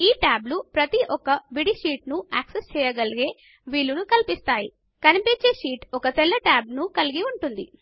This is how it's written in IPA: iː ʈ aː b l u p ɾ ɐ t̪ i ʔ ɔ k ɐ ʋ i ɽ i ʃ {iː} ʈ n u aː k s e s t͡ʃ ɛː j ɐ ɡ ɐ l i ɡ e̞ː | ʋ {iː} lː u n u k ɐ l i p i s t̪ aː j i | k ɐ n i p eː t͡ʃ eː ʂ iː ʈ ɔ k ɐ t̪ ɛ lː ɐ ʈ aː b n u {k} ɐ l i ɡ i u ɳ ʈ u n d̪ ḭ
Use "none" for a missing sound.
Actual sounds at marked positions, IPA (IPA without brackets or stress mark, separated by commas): iː, iː, k